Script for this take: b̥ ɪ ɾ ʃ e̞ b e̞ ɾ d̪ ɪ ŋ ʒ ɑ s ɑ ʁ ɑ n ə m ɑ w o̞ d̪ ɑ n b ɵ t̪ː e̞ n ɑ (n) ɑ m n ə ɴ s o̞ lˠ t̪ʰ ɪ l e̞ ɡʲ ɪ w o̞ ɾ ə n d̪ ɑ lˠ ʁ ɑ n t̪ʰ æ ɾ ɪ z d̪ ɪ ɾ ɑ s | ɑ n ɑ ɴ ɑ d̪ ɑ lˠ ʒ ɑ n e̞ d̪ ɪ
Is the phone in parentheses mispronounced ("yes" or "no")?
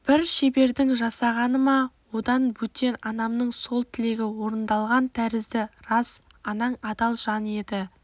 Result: no